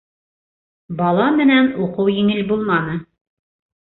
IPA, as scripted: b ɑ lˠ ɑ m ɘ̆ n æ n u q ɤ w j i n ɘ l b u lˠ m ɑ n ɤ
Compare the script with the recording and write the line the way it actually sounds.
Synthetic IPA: b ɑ lˠ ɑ m ɘ̆ n æ n u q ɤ w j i ŋ ɘ l b u lˠ m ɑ n ɤ